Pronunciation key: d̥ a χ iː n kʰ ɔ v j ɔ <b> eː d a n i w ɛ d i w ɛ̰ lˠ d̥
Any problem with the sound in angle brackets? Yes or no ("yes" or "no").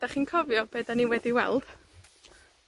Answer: no